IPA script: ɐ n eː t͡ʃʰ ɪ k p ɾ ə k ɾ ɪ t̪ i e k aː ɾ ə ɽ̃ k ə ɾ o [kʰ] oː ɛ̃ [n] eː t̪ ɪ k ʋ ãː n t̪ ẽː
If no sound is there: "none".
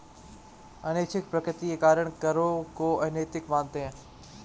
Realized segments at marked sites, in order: k, n

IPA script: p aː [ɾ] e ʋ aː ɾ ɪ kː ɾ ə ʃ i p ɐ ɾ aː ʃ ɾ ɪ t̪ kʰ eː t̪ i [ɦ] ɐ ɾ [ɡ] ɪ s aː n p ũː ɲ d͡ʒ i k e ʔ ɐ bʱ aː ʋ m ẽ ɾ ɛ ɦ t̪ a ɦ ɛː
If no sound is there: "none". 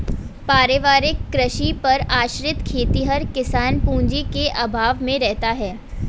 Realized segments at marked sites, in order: ɾ, ɦ, k

